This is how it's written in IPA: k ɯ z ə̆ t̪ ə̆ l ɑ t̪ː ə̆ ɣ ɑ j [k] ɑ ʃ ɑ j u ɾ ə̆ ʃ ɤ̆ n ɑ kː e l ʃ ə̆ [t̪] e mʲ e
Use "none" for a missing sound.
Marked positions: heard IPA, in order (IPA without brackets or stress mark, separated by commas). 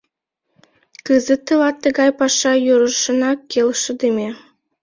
p, d̪